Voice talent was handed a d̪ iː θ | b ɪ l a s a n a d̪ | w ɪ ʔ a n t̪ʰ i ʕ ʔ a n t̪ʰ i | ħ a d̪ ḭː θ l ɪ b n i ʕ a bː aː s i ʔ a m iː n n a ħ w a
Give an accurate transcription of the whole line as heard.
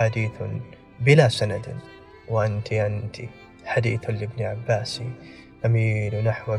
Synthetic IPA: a d̪ iː θ | b ɪ l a s a n a d̪ | w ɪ ʔ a n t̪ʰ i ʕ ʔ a n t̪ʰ i | ħ a d̪ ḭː θ l ɪ b n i ʕ a bː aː s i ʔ a m iː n n a ħ w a